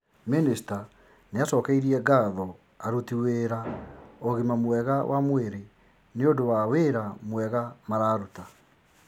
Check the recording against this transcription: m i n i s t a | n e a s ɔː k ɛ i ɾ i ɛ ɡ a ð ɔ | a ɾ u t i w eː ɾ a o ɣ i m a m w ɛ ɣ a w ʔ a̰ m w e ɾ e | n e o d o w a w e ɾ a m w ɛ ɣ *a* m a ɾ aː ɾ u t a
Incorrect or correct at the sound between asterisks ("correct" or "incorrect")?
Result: correct